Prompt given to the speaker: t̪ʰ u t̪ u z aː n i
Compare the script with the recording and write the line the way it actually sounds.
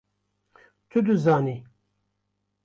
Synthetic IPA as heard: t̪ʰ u d̪ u z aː n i